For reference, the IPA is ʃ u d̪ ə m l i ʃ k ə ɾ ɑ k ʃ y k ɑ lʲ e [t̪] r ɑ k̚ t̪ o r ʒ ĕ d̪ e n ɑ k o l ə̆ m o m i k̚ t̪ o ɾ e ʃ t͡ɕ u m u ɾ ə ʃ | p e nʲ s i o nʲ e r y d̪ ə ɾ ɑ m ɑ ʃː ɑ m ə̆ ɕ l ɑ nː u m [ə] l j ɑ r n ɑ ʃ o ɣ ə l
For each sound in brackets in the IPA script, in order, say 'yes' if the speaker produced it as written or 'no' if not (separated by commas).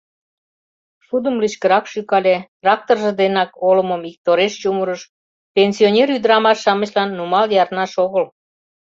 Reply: yes, no